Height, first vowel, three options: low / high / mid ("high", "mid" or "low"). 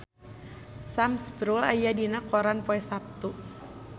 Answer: low